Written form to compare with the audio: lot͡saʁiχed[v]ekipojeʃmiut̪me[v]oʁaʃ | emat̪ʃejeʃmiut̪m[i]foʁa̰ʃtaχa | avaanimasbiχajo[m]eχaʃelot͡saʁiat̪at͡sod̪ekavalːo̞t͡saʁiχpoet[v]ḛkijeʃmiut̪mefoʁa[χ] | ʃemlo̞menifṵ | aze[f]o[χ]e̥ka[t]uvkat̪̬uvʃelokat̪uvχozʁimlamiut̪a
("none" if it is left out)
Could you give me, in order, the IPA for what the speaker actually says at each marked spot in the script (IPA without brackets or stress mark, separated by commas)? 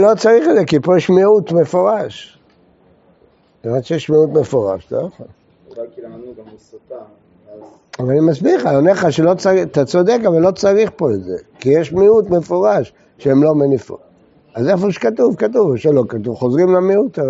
z, f, e, n, z, ʃ, f, ʃ, t